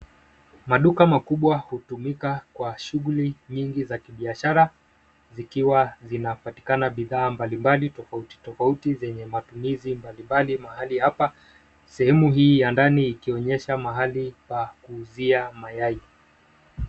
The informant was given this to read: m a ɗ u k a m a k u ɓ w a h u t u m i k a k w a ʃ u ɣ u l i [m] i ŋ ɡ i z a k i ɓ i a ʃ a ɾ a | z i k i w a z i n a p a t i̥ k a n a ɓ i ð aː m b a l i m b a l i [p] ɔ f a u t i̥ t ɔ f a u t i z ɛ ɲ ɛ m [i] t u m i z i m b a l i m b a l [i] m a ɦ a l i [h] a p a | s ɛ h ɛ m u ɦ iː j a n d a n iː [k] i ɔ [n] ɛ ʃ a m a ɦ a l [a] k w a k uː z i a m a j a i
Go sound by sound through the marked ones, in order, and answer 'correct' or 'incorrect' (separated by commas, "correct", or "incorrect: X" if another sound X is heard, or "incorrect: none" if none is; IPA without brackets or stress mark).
incorrect: ɲ, incorrect: t, incorrect: a, correct, correct, correct, incorrect: ɲ, incorrect: i